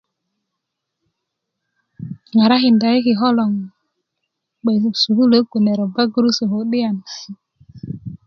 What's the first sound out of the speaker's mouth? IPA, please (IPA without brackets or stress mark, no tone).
ŋ